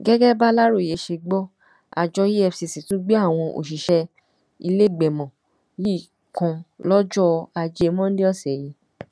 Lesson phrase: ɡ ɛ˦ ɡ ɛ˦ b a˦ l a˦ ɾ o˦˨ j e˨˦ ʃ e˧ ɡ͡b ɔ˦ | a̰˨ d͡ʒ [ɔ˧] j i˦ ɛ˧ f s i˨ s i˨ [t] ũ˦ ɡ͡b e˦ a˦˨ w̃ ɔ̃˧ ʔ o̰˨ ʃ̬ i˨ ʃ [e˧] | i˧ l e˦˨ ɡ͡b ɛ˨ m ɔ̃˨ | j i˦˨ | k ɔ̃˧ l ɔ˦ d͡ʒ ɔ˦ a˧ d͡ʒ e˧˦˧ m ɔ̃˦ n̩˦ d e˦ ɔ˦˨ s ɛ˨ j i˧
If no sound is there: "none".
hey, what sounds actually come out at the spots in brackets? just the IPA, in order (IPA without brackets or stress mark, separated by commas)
ɔ˧, t, ɛ˧